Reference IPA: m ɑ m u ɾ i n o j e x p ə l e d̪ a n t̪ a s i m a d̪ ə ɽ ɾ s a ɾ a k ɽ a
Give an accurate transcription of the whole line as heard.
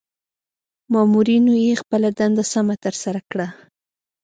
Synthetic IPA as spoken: m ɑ m u ɾ i n o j e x p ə l a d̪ a n d̪ a s a m a t̪ ə ɾ s a ɾ a k ɽ a